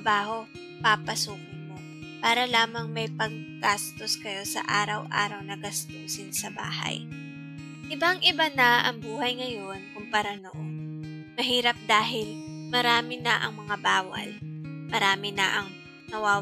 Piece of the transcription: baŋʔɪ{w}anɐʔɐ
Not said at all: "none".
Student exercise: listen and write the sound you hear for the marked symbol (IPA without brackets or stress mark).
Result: b